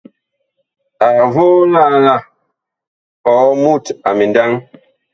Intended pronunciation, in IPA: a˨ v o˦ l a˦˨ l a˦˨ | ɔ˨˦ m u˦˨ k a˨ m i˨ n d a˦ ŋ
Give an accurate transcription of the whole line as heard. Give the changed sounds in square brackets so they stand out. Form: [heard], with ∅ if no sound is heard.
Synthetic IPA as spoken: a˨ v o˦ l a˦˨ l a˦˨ | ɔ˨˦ m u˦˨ [t] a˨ m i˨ n d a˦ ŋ